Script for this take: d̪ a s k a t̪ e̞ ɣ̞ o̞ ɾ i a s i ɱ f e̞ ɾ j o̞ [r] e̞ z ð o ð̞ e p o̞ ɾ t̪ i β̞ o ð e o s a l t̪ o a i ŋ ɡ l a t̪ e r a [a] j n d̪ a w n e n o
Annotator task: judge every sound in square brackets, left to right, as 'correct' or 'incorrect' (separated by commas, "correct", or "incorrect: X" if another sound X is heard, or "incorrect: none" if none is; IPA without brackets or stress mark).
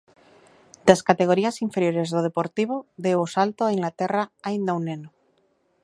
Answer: incorrect: ɾ, correct